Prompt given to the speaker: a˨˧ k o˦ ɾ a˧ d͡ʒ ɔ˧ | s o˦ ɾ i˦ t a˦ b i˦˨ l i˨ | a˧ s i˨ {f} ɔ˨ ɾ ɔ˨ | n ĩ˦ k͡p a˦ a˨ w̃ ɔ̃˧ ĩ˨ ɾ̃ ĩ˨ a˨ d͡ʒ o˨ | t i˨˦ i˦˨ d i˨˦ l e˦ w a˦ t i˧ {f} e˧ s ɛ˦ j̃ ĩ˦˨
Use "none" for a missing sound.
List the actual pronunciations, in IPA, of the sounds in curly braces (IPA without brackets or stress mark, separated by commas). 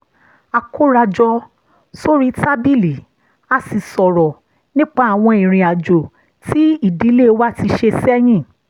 s, ʃ